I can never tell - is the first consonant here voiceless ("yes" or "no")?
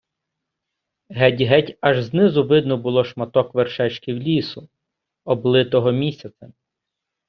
no